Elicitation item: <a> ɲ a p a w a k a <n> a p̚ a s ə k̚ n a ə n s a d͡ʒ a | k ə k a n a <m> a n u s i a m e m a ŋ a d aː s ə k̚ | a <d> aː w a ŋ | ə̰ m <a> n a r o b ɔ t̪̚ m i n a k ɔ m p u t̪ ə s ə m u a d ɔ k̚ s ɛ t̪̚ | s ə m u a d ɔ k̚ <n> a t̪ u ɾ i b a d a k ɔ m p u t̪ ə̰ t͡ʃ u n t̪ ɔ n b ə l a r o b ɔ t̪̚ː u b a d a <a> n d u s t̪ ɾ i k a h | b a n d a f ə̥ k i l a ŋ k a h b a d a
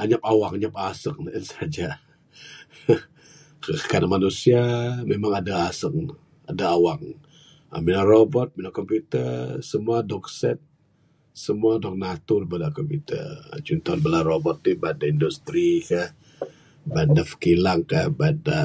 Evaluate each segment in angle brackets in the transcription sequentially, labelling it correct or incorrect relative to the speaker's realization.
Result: correct, incorrect: ɲ, correct, correct, incorrect: i, correct, incorrect: i

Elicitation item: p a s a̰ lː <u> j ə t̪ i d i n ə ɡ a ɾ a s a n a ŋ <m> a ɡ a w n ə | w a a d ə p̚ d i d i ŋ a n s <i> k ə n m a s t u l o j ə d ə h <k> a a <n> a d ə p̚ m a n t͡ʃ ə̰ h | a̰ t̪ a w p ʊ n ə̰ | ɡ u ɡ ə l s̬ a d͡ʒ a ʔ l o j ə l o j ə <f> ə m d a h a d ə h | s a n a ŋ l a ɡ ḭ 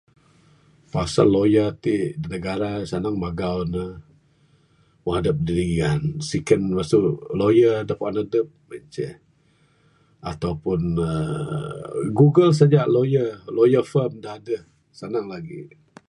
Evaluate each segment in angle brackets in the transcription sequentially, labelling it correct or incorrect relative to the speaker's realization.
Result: incorrect: o, correct, correct, incorrect: p, correct, correct

